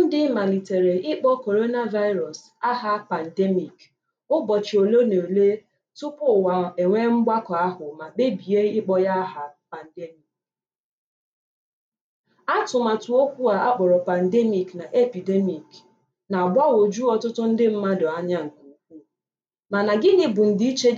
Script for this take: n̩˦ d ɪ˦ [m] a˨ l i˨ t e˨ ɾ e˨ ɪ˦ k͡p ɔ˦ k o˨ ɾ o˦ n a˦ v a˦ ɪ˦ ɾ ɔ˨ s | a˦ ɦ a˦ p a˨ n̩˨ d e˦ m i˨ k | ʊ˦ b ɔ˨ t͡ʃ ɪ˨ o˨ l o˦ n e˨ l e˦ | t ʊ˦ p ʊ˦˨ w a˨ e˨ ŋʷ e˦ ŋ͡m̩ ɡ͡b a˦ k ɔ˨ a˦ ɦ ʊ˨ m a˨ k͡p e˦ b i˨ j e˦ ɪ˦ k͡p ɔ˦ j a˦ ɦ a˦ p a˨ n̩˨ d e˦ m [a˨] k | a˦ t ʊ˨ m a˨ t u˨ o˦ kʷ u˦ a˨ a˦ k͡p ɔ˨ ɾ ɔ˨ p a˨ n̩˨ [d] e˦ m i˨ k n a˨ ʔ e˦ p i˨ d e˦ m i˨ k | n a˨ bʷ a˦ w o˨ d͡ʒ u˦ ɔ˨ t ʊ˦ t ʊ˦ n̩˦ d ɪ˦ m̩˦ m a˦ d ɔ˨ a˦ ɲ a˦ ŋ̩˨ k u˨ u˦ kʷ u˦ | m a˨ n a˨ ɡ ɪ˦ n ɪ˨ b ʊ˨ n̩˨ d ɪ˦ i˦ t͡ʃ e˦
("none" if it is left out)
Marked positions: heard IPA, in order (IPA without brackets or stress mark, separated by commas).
m, i˨, d